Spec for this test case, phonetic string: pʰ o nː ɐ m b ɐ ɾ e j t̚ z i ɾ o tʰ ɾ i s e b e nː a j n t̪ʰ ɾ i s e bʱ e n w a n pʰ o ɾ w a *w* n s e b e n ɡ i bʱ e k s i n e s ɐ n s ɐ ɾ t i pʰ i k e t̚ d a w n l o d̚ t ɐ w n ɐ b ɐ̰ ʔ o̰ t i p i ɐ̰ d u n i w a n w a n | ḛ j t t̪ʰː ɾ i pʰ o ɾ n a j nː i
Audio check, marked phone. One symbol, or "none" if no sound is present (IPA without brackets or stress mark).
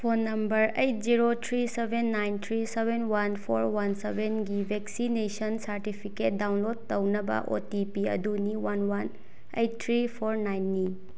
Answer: none